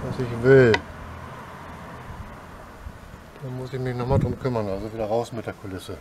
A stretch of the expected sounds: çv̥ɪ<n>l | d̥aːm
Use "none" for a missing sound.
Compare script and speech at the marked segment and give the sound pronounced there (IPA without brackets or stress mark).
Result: none